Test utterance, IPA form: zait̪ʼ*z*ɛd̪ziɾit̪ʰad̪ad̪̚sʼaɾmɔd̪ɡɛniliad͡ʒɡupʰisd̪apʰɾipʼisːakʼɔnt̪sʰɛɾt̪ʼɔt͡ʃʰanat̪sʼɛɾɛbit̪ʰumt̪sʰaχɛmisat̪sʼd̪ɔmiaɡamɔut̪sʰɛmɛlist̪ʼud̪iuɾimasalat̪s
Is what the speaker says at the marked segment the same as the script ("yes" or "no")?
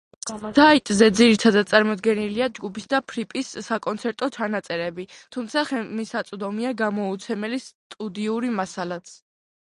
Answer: yes